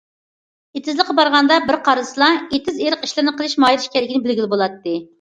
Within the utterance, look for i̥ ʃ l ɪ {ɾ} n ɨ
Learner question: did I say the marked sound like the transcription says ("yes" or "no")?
yes